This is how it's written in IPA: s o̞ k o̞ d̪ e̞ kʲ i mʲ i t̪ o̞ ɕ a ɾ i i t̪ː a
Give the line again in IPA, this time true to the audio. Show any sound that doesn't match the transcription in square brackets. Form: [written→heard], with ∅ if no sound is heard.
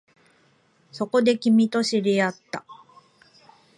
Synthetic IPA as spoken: s o̞ k o̞ d̪ e̞ kʲ i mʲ i t̪ o̞ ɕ [a→i] ɾ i [i→a] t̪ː a